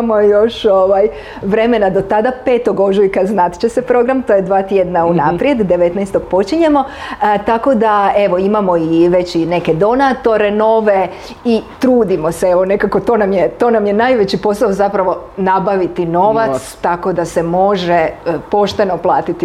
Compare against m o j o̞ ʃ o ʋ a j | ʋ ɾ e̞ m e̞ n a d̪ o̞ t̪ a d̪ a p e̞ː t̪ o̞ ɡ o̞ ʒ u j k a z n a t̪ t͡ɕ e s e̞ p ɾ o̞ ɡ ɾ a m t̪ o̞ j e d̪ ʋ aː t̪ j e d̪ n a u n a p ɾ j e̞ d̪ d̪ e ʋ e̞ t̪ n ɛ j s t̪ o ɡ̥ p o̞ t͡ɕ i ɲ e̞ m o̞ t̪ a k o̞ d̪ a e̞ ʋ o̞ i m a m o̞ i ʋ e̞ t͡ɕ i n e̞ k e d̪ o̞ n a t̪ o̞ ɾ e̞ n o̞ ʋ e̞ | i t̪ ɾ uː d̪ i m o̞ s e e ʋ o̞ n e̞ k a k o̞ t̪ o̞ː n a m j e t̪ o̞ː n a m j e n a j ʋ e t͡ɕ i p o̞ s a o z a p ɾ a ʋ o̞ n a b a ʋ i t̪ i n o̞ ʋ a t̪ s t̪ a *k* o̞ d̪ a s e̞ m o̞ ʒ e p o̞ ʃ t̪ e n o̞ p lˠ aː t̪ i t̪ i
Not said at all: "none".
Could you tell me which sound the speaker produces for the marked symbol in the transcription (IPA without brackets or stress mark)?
k